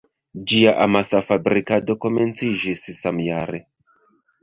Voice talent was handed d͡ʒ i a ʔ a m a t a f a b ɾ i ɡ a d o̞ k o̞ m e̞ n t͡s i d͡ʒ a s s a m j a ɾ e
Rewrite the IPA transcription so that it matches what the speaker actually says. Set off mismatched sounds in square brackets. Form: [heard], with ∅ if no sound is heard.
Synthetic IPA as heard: d͡ʒ i a ʔ a m a [s] a f a b ɾ i [k] a d o̞ k o̞ m e̞ n t͡s i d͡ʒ [i] s s a m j a ɾ e